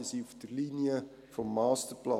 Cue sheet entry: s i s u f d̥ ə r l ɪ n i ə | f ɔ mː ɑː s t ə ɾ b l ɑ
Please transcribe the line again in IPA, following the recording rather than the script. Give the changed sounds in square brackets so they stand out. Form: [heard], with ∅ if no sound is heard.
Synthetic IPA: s i [∅] u f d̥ ə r l [i] n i ə | f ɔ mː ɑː s t ə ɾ [p] l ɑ